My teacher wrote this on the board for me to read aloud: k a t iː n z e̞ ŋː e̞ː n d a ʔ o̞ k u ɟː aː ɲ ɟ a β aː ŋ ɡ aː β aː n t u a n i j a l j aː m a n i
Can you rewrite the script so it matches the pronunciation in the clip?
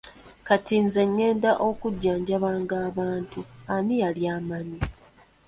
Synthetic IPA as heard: k a t iː n z e̞ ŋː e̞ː n d a ʔ o̞ k u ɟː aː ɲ ɟ a β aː ŋ ɡ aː β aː n t u a n i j a l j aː m a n i